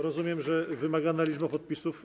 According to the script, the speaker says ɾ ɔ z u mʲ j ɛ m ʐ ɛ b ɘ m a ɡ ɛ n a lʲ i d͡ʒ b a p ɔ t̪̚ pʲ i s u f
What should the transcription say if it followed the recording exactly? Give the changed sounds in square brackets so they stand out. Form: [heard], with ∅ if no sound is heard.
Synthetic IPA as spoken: ɾ ɔ z u mʲ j ɛ m ʐ ɛ [v] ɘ m a ɡ [a] n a lʲ i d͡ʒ b a p ɔ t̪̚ pʲ i s u f